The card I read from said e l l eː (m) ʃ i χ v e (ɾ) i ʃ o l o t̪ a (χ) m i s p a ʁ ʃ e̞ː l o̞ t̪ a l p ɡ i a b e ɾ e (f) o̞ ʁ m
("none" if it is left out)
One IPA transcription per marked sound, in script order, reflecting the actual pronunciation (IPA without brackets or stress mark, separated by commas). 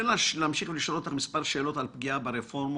m, l, χ, f